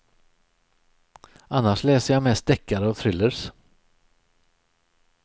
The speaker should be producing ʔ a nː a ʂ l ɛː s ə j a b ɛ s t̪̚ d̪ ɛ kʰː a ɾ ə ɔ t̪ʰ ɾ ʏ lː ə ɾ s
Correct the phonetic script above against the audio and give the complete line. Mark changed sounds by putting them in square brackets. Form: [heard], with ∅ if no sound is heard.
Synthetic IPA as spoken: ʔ a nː a ʂ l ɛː s ə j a [m] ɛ s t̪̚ d̪ ɛ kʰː a ɾ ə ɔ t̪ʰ ɾ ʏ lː ə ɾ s